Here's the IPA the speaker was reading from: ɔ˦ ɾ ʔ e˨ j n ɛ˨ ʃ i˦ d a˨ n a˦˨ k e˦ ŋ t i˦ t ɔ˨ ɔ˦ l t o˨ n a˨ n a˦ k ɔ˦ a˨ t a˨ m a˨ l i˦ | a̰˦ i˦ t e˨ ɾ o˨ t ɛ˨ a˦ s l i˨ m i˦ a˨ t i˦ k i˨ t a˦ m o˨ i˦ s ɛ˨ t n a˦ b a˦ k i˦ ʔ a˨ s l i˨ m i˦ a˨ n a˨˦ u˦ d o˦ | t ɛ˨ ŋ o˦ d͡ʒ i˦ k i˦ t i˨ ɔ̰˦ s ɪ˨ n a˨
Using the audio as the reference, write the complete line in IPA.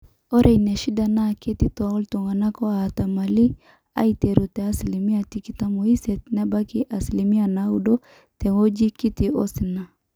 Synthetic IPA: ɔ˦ ɾ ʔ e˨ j n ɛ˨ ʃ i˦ d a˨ n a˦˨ k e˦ t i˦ t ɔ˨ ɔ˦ l t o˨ ŋ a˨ n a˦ k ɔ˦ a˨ t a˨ m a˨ l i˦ | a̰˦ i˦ t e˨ ɾ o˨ t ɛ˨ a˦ s l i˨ m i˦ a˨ t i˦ k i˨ t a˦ m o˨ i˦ s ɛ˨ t n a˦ b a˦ k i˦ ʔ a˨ s l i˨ m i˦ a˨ n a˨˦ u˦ d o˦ | t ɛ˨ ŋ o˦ d͡ʒ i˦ k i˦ t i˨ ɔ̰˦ s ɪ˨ n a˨